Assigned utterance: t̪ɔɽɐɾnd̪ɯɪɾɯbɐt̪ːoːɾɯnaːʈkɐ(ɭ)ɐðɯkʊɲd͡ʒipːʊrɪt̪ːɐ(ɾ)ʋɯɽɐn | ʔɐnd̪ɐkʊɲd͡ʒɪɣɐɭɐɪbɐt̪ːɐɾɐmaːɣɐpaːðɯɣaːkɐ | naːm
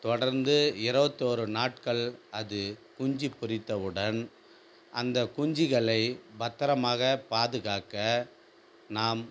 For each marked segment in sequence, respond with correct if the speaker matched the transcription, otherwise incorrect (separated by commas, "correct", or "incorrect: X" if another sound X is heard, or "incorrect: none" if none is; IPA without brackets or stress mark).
correct, incorrect: none